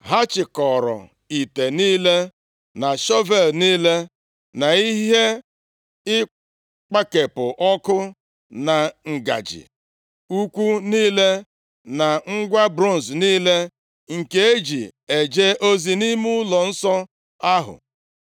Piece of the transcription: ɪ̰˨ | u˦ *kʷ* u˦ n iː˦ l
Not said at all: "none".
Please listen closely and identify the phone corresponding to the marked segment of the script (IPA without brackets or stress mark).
kʷ